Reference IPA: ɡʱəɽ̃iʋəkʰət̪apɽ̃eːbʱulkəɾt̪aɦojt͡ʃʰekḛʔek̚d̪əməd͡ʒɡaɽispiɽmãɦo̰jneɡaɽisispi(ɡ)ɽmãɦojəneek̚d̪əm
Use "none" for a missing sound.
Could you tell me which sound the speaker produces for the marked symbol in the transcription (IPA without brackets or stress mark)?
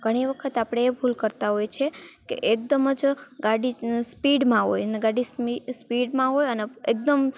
none